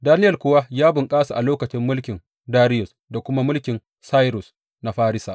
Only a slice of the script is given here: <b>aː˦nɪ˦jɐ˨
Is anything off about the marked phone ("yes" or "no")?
yes